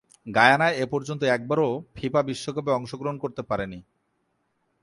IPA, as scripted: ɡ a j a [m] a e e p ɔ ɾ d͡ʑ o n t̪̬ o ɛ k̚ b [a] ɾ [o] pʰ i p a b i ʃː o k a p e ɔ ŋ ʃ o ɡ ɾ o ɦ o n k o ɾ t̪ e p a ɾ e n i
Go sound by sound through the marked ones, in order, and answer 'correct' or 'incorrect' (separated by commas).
incorrect, correct, correct